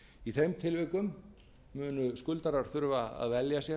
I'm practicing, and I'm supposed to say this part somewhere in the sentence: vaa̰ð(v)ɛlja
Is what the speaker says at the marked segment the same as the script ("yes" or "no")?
yes